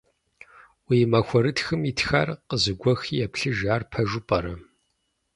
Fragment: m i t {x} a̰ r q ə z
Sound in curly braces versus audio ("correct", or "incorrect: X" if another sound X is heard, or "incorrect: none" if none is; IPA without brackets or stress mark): correct